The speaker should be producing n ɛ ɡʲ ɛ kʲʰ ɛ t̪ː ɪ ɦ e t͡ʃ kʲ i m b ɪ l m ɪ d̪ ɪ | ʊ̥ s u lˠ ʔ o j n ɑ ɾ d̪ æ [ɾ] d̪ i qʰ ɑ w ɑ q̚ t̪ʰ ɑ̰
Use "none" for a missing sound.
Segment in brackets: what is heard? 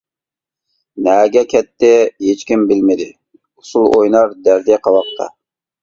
ɾ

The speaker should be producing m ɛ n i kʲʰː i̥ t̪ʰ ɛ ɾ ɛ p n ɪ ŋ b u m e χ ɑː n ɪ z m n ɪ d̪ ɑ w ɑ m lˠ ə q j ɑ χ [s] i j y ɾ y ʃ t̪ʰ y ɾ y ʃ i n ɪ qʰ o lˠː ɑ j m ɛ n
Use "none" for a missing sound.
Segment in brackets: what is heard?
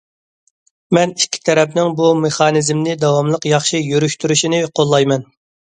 ʃ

